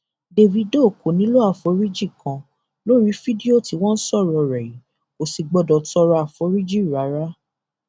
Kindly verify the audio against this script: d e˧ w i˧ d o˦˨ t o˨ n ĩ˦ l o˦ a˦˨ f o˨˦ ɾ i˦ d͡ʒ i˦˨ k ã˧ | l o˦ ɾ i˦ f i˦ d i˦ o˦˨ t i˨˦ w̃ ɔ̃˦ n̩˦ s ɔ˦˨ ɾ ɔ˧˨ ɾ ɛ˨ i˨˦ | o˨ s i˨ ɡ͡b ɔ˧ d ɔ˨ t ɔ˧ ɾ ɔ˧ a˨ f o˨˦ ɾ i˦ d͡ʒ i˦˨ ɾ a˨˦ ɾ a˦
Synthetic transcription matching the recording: d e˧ v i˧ d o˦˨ k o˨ n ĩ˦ l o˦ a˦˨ f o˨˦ ɾ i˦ d͡ʒ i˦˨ k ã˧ | l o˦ ɾ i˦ f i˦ d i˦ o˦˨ t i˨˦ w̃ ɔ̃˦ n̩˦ s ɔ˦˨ ɾ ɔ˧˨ ɾ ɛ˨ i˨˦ | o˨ s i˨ ɡ͡b ɔ˧ d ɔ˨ t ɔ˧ ɾ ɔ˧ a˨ f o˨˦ ɾ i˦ d͡ʒ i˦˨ ɾ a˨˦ ɾ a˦